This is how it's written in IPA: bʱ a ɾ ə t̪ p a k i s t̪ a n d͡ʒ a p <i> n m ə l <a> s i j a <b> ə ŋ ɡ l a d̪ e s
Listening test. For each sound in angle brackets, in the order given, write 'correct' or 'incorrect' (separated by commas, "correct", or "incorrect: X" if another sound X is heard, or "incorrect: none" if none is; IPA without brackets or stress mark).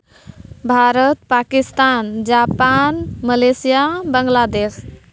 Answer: incorrect: a, incorrect: e, correct